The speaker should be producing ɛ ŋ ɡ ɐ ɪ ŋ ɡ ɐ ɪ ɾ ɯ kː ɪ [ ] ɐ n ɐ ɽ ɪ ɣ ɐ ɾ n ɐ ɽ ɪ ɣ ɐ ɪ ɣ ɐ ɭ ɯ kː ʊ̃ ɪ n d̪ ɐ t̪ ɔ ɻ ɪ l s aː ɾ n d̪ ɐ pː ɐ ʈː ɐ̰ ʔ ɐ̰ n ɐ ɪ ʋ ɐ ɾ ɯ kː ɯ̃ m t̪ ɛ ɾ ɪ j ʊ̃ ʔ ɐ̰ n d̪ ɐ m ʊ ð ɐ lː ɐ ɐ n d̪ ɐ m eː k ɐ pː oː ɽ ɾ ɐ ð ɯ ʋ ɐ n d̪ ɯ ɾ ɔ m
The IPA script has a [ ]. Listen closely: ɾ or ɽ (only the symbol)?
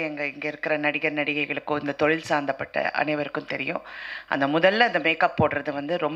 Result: ɾ